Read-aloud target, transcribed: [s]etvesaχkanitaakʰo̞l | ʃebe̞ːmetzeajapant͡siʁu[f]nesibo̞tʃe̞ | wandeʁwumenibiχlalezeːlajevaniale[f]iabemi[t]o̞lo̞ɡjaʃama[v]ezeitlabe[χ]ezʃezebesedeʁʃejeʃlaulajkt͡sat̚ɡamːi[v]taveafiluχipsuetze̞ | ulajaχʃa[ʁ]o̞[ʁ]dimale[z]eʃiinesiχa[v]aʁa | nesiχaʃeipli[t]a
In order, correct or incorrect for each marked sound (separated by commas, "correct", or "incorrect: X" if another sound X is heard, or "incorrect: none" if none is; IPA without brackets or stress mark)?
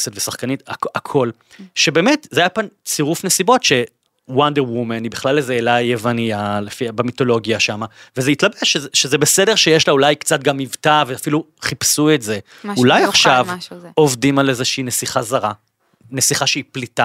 correct, correct, correct, correct, correct, incorrect: ʃ, correct, incorrect: v, incorrect: v, correct, incorrect: z, correct